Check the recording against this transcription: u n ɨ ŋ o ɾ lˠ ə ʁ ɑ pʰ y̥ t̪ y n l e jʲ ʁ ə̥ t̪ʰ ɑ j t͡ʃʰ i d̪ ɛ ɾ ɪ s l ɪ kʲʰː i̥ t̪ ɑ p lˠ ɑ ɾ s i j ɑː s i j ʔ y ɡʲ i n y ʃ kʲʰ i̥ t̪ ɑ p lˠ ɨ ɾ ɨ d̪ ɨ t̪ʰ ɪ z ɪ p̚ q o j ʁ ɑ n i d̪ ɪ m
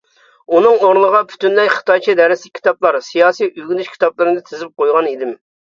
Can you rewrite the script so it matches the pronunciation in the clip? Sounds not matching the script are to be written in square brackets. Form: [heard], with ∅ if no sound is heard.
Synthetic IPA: u n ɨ ŋ o ɾ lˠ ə ʁ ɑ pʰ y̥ t̪ y n l [ɛ] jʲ [χ] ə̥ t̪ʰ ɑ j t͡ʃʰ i d̪ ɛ ɾ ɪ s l ɪ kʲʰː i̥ t̪ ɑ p lˠ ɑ ɾ s i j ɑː s i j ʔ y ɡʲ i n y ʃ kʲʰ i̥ t̪ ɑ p lˠ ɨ ɾ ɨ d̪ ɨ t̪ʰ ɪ z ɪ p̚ q o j ʁ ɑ n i d̪ ɪ m